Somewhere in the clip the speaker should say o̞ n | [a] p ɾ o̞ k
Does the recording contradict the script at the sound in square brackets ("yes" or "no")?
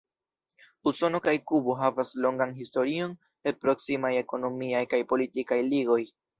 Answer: yes